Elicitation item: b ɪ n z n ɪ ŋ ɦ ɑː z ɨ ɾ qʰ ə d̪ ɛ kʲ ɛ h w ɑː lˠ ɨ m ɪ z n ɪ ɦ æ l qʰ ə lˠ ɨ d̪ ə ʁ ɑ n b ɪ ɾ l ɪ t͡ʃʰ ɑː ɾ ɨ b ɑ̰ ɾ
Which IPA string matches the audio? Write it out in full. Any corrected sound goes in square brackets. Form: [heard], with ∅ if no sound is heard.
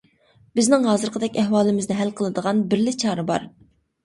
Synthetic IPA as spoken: b ɪ [∅] z n ɪ ŋ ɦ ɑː z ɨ ɾ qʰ ə d̪ ɛ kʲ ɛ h w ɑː lˠ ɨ m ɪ z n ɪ ɦ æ l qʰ ə lˠ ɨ d̪ ə ʁ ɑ n b ɪ ɾ l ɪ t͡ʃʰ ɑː ɾ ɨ b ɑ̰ ɾ